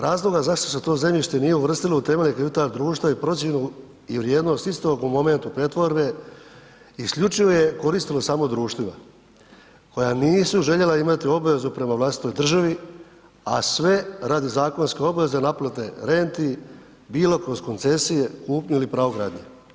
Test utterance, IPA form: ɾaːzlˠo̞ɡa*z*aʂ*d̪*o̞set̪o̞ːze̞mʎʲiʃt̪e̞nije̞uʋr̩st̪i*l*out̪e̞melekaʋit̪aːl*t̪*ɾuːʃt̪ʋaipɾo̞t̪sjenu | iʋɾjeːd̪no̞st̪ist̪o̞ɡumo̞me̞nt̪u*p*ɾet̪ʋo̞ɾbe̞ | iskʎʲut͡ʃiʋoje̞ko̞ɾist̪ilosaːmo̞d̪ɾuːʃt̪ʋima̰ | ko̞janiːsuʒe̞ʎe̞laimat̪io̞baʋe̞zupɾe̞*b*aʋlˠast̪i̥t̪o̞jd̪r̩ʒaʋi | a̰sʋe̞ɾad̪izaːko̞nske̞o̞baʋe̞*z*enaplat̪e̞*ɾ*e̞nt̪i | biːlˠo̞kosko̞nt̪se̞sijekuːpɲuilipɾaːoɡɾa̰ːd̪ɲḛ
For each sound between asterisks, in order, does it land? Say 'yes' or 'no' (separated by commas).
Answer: yes, no, yes, no, yes, no, yes, yes